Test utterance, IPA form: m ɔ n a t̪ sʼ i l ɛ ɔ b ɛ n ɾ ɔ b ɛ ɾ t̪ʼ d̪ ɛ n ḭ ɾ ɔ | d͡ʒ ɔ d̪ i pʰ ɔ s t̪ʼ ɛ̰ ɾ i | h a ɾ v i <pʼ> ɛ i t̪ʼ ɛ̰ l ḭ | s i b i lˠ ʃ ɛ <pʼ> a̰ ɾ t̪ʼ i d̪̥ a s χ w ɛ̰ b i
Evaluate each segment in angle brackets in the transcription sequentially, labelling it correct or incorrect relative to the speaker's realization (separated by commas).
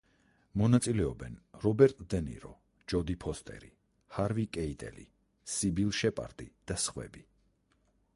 incorrect, correct